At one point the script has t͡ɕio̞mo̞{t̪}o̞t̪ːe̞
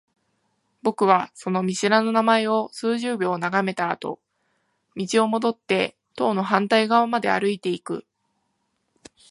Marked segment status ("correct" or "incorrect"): incorrect